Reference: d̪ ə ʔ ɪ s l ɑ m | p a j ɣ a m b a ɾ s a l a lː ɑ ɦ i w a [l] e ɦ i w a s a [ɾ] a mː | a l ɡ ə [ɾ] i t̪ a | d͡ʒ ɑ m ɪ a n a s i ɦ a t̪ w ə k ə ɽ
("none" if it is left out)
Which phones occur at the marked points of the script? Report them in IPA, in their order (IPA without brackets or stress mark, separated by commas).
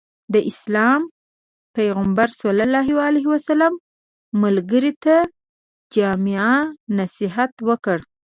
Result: l, l, ɾ